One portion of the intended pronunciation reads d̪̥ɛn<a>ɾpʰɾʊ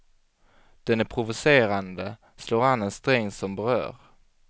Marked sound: incorrect: æ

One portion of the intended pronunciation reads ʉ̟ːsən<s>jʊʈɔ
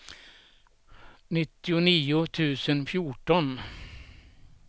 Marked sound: incorrect: f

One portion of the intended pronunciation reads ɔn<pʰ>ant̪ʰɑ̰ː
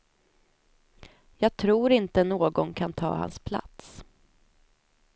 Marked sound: incorrect: kʰ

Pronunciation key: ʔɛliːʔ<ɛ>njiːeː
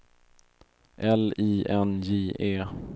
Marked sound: correct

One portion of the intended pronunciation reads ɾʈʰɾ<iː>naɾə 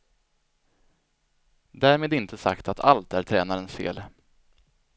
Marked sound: incorrect: ɛː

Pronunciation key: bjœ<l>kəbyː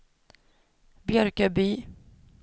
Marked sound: incorrect: ɾ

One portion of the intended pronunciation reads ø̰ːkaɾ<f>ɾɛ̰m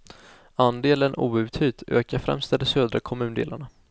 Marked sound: correct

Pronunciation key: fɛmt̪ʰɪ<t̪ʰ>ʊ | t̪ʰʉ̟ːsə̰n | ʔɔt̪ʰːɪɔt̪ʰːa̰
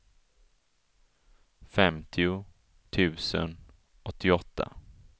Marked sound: incorrect: none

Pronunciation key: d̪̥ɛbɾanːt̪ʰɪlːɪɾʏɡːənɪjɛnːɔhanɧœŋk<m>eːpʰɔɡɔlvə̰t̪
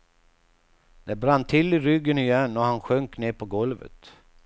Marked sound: incorrect: n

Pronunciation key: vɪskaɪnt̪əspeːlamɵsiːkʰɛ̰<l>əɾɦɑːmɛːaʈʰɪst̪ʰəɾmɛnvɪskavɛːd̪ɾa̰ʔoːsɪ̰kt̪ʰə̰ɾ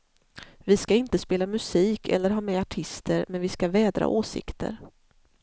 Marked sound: incorrect: lː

